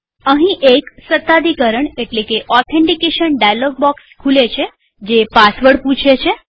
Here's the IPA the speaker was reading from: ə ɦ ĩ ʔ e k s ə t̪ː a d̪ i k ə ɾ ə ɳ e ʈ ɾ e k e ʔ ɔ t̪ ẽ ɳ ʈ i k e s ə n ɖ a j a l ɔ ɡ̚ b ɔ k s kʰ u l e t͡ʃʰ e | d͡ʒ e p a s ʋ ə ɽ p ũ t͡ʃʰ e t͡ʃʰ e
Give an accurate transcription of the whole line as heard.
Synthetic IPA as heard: ə ɦ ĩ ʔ e k s ə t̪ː a d̪ i k ə ɾ ə ɳ e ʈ l e k e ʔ ɔ t̪ʰ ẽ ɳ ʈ i k e ʃ ə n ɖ a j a l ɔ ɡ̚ b ɔ k s kʰ u l e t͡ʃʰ e | d͡ʒ e p a s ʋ ə ɽ p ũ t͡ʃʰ e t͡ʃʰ e